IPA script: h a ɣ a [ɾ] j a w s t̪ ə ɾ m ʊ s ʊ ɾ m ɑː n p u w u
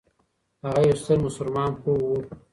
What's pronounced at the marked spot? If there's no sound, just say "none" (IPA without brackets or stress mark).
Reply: none